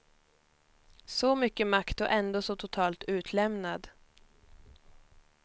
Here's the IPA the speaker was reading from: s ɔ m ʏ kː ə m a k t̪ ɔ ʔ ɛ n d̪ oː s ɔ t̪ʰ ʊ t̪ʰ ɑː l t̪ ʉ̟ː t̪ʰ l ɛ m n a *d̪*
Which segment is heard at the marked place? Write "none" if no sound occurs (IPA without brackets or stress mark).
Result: d̪